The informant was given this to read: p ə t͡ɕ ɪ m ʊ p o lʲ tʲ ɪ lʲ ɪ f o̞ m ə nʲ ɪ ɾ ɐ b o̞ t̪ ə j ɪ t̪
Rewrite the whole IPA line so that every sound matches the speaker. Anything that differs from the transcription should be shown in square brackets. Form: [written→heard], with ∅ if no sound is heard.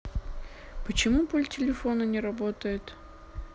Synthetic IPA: p ə t͡ɕ ɪ m [ʊ→u] p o lʲ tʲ ɪ lʲ ɪ f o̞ [m→n] ə nʲ ɪ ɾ ɐ b o̞ t̪ ə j ɪ t̪